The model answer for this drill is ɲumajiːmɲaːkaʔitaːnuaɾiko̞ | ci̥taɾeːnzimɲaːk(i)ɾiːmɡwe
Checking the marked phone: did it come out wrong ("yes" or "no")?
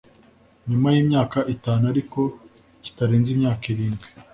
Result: no